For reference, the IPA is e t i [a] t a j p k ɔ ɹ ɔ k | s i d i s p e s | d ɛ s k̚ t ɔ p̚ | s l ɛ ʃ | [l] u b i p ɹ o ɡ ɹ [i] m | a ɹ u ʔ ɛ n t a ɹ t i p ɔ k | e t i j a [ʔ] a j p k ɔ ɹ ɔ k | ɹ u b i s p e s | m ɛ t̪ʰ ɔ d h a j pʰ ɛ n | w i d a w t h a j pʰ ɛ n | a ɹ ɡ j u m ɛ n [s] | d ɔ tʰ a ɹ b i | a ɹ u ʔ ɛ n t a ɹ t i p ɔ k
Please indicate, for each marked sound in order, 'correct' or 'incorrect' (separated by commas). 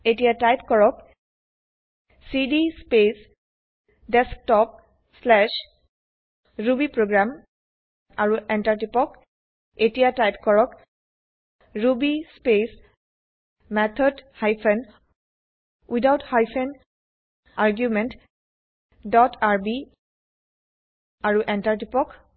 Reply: correct, incorrect, incorrect, incorrect, incorrect